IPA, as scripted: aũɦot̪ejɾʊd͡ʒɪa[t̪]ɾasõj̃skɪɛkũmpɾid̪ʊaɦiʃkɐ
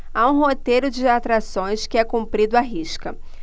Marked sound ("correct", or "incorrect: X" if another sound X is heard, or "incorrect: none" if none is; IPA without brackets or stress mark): correct